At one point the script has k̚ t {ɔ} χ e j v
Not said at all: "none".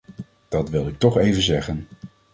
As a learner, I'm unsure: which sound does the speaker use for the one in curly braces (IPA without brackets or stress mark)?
ɔ